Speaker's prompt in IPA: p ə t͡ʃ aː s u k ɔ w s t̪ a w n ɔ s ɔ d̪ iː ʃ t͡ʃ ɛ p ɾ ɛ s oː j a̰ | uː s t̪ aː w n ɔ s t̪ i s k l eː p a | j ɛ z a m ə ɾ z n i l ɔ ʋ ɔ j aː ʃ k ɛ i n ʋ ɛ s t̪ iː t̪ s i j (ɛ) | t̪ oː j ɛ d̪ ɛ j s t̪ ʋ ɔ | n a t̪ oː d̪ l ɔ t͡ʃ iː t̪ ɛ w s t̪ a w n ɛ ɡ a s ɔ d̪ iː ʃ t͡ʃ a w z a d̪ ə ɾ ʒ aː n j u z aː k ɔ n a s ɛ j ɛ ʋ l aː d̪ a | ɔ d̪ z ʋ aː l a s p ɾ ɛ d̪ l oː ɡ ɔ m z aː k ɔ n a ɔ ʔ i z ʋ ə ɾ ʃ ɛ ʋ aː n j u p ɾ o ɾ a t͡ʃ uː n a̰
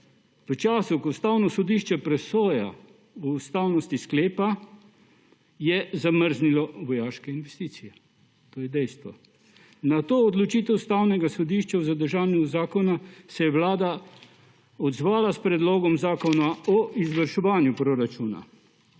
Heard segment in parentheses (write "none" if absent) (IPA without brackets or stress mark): ɛ